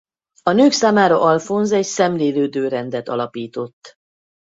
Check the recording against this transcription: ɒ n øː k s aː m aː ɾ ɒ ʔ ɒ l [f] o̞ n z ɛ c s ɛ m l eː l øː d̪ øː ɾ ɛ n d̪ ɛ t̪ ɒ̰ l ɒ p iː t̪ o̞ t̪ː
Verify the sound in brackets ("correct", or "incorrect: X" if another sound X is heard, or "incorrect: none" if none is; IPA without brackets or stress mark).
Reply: correct